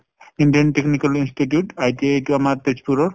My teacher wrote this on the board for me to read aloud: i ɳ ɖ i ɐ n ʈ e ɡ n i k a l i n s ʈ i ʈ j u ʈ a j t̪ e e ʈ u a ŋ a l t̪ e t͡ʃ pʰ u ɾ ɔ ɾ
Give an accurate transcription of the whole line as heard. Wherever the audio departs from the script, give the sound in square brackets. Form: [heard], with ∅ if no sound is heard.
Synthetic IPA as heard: i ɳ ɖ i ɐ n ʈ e [k] n i k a l i n s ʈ i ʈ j u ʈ a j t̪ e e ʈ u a [m] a [ɾ] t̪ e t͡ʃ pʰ u ɾ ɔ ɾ

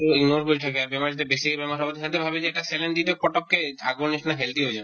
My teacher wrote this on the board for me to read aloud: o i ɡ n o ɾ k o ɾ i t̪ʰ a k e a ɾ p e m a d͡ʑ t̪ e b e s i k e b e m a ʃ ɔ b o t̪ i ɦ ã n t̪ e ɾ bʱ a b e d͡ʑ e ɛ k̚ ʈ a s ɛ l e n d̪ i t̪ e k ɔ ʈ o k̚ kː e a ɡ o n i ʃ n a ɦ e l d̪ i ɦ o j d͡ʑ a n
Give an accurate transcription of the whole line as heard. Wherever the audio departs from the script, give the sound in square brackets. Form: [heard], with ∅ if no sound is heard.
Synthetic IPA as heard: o i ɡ n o ɾ k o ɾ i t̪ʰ a k e a ɾ [b] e m a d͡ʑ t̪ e b e s i k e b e m a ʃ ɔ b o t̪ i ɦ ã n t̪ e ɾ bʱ a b e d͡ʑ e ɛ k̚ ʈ a s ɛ l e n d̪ i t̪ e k ɔ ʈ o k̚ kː e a ɡ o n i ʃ n a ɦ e l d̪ i ɦ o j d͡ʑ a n

